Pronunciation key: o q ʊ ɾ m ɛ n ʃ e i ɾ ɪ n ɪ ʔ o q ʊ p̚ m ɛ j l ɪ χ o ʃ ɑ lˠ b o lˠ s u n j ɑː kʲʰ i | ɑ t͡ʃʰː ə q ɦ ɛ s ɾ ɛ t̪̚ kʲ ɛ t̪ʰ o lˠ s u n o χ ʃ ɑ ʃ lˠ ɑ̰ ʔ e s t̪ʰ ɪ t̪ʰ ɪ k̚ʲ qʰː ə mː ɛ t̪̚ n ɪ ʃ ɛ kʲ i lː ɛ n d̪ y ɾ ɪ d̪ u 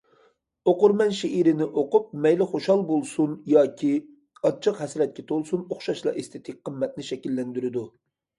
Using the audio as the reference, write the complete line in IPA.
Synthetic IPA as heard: o q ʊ ɾ m ɛ n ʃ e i ɾ ɪ n ɪ ʔ o q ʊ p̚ m ɛ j l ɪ χ o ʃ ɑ lˠ b o lˠ s u n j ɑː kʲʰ i | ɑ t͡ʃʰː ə q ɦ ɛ s ɾ ɛ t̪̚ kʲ ɛ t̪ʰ o lˠ s u n o χ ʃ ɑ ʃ lˠ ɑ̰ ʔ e s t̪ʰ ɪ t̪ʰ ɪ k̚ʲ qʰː ə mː ɛ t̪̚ n ɪ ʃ ɛ kʲ i lː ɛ n d̪ y ɾ ɪ d̪ u